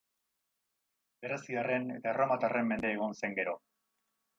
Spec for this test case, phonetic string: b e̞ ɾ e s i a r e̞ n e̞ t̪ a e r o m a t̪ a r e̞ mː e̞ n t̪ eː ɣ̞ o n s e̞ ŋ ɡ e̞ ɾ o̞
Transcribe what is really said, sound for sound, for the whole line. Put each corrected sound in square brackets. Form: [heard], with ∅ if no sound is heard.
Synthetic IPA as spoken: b e̞ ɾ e s i a r e̞ n e̞ t̪ a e r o m a t̪ a r e̞ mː e̞ n [d̪] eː ɣ̞ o n s e̞ ŋ ɡ e̞ ɾ o̞